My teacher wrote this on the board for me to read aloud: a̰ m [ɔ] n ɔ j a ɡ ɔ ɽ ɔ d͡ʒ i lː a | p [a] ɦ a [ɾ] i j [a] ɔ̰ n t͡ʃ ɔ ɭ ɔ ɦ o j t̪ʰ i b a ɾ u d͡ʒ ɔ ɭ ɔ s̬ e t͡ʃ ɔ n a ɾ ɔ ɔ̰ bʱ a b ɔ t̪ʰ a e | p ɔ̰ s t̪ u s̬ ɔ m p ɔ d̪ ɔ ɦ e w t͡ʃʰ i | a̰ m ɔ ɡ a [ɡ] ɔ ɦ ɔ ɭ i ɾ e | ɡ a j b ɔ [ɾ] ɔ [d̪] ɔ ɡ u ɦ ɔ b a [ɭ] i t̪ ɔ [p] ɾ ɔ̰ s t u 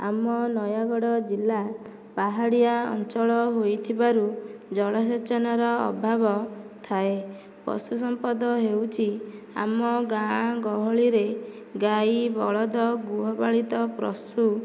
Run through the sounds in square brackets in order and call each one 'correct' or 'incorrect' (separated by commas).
correct, correct, incorrect, correct, correct, incorrect, correct, correct, correct